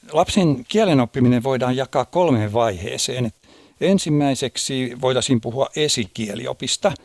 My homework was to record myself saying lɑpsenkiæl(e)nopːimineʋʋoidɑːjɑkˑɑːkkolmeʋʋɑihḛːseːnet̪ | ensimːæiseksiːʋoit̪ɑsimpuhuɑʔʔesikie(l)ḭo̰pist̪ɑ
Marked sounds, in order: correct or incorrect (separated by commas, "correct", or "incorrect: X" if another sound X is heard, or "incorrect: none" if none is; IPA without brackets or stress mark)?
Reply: correct, correct